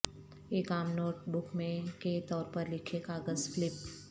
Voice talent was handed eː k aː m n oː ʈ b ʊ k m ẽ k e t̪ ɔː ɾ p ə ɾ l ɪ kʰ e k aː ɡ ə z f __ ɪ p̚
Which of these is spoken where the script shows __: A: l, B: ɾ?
A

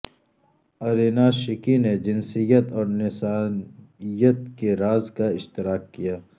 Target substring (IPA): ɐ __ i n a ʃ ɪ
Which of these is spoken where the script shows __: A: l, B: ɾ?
B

